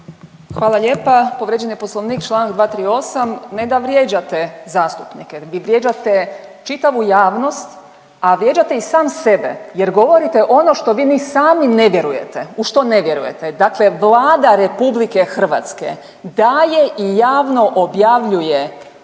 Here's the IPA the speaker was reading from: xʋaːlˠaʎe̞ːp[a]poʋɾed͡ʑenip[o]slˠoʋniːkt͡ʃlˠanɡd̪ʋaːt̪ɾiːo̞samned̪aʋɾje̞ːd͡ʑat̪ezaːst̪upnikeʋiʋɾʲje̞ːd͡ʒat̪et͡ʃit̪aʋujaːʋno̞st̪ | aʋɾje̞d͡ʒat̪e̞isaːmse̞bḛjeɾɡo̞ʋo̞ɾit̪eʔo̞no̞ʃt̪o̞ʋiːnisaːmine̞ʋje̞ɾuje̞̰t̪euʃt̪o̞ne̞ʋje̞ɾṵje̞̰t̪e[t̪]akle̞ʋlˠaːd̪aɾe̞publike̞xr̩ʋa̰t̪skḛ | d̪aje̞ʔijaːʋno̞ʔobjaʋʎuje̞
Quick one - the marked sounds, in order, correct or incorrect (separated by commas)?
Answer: correct, correct, incorrect